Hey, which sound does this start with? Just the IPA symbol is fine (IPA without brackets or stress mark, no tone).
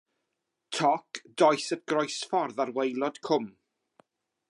tʰ